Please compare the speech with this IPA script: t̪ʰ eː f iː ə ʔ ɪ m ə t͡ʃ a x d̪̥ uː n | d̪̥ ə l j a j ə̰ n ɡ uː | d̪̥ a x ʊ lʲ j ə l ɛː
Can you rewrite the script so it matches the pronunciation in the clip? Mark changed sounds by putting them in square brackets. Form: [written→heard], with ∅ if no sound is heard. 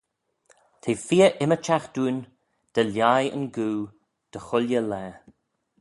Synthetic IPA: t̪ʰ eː f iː ə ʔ ɪ m ə t͡ʃ a x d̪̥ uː n | d̪̥ ə l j a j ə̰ n ɡ uː | d̪̥ [a→ə] x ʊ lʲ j ə l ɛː